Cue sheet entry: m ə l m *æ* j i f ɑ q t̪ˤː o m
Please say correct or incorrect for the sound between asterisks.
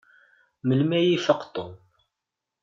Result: correct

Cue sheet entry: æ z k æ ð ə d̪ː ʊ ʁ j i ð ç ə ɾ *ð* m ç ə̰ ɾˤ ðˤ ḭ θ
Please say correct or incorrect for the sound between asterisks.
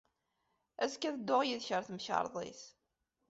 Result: incorrect: θ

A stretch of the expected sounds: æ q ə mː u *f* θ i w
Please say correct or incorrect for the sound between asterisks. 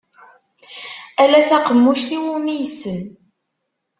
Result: incorrect: ʃ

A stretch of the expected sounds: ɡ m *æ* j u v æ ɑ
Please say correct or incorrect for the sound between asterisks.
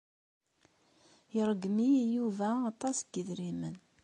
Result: incorrect: i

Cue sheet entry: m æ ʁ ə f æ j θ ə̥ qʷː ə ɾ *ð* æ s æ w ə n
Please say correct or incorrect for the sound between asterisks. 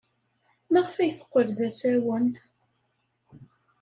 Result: correct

